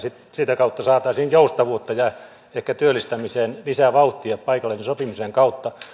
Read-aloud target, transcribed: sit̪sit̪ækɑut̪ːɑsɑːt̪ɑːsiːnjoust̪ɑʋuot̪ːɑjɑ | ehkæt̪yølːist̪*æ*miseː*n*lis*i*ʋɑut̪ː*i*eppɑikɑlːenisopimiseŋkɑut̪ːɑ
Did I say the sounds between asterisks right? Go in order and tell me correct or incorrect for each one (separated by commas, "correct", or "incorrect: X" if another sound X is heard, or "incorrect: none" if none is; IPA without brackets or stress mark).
correct, correct, incorrect: æ, correct